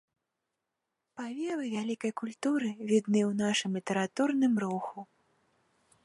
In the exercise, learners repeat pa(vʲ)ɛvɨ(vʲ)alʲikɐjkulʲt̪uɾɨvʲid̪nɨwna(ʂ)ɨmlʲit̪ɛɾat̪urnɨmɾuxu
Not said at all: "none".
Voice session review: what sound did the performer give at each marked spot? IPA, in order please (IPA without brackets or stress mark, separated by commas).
vʲ, vʲ, ʂ